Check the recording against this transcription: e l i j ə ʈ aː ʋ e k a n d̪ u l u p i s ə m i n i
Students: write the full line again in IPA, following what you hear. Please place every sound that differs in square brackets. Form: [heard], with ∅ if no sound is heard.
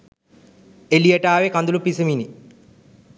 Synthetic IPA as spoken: e l i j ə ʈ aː ʋ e k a n d̪ u l u p i s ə m i n i

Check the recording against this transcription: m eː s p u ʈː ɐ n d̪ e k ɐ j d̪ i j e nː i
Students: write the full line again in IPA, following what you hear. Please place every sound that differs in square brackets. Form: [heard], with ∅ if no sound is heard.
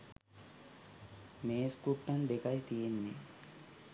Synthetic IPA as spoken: m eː s [k] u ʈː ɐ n d̪ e k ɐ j [t̪] i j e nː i

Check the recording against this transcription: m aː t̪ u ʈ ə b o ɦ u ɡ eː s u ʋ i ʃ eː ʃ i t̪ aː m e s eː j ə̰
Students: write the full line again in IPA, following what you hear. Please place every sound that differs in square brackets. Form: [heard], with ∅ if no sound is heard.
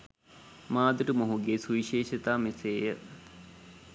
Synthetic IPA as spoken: m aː [d̪] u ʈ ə [m] o ɦ u ɡ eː s u ʋ i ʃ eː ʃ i t̪ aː m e s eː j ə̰

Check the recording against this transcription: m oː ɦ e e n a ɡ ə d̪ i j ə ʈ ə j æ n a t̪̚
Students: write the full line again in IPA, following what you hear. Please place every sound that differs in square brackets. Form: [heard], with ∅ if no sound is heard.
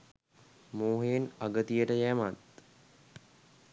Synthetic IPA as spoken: m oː ɦ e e n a ɡ ə [t̪] i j ə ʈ ə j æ [m] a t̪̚

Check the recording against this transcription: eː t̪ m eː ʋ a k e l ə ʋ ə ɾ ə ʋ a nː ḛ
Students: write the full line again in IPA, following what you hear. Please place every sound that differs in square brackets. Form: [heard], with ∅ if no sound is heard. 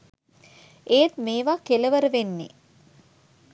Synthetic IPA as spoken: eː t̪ m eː ʋ a k e l ə ʋ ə ɾ ə ʋ [e] nː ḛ

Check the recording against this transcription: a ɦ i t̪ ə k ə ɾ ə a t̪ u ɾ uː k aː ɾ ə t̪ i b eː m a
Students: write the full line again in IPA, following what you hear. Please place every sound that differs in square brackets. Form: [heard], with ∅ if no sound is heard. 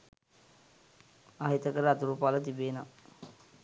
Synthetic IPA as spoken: a ɦ i t̪ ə k ə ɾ ə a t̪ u ɾ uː [p] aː [l] ə t̪ i b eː [n] a

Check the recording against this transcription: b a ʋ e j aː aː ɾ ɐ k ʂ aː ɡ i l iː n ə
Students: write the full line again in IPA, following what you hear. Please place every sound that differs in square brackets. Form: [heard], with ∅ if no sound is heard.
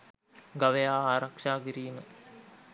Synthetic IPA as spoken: [ɡ] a ʋ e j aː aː ɾ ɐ k ʂ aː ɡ i [ɾ] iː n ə

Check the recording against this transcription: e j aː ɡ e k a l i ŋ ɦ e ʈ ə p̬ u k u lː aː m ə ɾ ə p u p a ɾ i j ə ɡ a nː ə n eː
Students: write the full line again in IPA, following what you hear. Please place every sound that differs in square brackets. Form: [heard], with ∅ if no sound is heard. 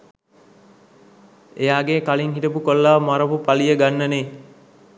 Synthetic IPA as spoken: e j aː ɡ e k a l i ŋ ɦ [i] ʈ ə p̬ u k [o] lː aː m [a] ɾ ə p u p a [l] i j ə ɡ a nː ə n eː

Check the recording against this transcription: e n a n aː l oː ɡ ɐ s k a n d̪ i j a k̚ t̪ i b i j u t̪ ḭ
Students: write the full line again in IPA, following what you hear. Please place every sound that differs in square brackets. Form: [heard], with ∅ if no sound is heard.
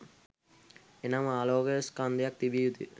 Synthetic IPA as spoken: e n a [m] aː l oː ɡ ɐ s k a n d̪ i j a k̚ t̪ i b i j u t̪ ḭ

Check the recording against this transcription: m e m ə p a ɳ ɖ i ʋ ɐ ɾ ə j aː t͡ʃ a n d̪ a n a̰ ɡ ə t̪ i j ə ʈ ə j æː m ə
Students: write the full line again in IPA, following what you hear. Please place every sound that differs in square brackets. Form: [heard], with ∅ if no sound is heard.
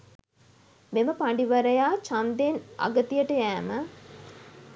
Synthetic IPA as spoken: m e m ə p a ɳ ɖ i ʋ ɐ ɾ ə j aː t͡ʃ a n d̪ [e] n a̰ ɡ ə t̪ i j ə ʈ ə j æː m ə

